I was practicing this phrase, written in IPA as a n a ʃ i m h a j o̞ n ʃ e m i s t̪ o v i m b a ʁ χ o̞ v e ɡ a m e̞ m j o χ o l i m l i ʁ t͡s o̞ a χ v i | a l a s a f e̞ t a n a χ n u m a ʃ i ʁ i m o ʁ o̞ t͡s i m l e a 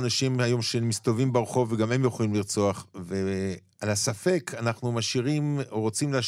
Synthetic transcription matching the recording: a n a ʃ i m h a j o̞ m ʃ e m i s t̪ o v i m b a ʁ χ o̞ v e ɡ a m e̞ m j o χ o l i m l i ʁ t͡s o̞ a χ v e | a l a s a f e̞ k a n a χ n u m a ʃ i ʁ i m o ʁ o̞ t͡s i m l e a